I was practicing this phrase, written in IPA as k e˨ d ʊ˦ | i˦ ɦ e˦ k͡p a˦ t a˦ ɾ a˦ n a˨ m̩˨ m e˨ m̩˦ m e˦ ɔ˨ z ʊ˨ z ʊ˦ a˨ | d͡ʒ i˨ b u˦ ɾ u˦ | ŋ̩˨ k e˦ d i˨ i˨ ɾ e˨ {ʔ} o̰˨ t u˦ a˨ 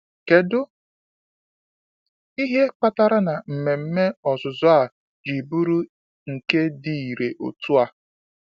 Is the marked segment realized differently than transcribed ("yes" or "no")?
no